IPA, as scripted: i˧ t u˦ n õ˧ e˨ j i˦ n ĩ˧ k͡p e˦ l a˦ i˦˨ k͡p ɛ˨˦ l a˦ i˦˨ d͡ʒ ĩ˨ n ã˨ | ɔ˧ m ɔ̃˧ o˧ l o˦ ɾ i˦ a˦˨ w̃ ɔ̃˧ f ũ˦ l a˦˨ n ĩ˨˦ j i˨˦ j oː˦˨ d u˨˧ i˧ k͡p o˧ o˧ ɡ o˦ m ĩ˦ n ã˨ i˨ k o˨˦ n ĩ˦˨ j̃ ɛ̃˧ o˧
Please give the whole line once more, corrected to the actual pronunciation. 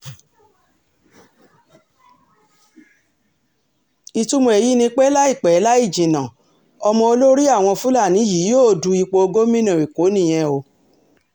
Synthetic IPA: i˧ t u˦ m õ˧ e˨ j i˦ n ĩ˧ k͡p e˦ l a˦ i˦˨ k͡p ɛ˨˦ l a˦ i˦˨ d͡ʒ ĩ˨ n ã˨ | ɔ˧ m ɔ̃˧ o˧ l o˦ ɾ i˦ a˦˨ w̃ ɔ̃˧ f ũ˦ l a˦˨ n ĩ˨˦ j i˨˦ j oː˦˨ d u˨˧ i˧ k͡p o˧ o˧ ɡ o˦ m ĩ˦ n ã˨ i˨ k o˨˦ n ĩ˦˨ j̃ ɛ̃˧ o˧